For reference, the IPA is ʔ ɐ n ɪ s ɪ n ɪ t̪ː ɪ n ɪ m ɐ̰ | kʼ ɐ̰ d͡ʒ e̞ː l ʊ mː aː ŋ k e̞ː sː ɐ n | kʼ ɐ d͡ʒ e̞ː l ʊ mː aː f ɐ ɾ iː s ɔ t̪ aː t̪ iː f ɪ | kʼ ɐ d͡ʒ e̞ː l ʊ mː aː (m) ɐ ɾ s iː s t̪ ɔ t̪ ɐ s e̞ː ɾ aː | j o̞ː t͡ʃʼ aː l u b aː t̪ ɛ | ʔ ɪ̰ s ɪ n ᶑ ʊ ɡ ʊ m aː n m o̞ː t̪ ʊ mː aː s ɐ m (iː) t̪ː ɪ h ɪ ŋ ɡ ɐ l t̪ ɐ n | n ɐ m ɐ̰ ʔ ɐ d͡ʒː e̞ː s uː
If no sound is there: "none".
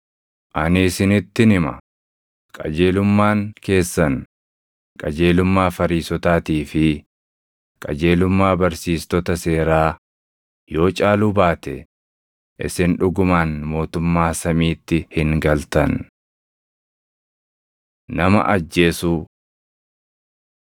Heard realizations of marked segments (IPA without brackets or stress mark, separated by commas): b, iː